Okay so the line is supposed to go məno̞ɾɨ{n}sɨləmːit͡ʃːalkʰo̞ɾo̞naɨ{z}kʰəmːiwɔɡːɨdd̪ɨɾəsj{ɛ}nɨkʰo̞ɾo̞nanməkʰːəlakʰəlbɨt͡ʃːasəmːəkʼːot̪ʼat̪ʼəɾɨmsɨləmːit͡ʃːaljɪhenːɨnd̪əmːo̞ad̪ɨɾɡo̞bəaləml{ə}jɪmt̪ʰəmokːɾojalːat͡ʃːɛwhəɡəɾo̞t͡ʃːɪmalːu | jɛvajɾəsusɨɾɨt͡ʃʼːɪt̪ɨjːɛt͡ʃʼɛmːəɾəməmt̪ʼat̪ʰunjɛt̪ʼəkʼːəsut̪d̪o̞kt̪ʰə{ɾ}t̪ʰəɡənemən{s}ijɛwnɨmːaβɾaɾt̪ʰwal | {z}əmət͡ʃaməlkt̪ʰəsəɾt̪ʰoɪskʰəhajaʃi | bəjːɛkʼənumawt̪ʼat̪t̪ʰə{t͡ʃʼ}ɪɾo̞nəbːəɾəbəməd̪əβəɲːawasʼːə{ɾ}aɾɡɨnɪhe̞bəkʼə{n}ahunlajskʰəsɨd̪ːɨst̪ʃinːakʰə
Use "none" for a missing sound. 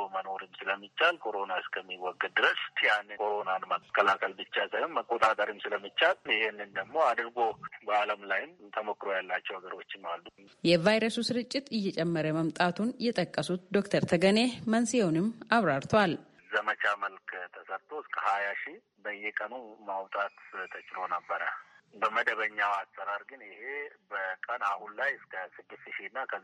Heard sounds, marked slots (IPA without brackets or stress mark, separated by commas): m, s, a, a, ɾ, s, z, t͡ʃʼ, ɾ, n